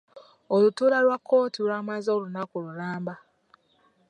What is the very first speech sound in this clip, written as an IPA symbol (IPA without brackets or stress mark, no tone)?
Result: o